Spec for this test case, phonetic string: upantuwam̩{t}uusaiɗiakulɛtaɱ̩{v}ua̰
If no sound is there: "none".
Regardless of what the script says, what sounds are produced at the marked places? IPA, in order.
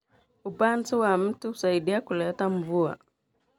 t, v

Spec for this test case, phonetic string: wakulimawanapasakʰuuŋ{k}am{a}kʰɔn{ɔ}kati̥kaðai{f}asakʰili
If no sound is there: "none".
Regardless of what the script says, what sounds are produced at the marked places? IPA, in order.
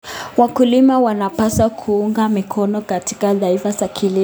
ɡ, i, ɔ, f

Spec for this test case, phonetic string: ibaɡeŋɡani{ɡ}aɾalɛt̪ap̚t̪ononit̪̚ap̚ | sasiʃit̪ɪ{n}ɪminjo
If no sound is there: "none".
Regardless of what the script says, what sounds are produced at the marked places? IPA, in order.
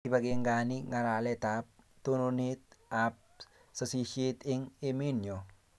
ŋ, ŋ

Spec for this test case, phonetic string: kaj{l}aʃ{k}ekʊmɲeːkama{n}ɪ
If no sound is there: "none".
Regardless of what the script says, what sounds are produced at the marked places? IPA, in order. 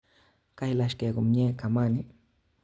l, k, n

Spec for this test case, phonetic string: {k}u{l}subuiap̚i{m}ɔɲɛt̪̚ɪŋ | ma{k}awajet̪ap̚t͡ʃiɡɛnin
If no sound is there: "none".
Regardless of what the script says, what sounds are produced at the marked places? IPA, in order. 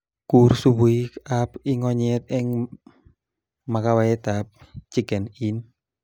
k, r, ŋ, k

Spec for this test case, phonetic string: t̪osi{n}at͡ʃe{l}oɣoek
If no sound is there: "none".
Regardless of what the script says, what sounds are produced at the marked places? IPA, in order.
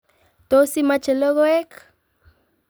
m, l

